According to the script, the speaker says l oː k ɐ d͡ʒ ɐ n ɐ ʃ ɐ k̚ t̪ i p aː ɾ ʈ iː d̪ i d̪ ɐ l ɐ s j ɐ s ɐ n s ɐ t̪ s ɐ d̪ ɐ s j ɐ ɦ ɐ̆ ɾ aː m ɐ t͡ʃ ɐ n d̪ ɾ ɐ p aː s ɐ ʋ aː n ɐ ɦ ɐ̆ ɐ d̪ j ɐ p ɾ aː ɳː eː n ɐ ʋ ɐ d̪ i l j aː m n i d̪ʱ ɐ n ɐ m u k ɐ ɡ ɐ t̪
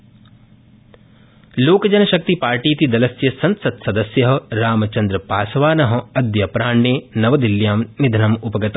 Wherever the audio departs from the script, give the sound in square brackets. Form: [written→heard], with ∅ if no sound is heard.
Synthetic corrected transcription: l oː k ɐ d͡ʒ ɐ n ɐ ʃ ɐ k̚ t̪ i p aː ɾ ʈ iː [d̪→t̪] i d̪ ɐ l ɐ s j ɐ s ɐ n s ɐ t̪ s ɐ d̪ ɐ s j ɐ ɦ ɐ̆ ɾ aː m ɐ t͡ʃ ɐ n d̪ ɾ ɐ p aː s ɐ ʋ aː n ɐ ɦ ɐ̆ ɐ d̪ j ɐ p ɾ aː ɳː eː n ɐ ʋ ɐ d̪ i l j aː m n i d̪ʱ ɐ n ɐ m u [k→p] ɐ ɡ ɐ t̪